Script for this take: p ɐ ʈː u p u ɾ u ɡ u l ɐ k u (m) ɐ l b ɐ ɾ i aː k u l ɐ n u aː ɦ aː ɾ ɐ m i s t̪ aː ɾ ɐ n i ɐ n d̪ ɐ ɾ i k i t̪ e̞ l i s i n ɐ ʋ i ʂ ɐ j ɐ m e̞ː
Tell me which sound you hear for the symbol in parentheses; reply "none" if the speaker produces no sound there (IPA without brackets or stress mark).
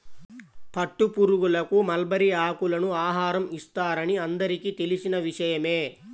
m